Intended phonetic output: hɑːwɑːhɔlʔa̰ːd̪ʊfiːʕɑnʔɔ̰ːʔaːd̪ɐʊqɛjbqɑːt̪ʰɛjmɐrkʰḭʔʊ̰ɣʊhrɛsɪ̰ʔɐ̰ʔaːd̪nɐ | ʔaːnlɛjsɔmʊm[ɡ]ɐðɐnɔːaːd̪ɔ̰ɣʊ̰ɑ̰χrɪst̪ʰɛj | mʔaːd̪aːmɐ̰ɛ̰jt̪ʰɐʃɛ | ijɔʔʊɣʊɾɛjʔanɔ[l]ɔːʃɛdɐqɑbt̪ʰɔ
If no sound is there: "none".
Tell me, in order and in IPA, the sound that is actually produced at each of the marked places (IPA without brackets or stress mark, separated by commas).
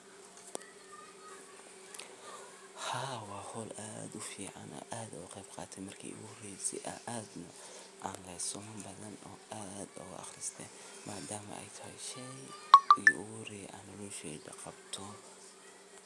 b, l